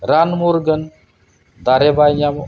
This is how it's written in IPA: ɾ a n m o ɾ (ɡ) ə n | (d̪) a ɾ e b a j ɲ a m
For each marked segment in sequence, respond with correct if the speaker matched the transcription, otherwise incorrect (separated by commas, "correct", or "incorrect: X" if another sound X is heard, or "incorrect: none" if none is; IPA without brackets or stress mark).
correct, correct